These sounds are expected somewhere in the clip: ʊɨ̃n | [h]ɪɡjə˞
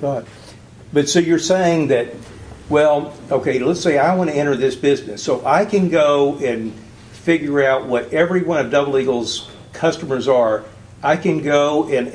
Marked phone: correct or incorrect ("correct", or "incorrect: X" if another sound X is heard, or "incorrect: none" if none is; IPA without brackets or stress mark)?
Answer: incorrect: f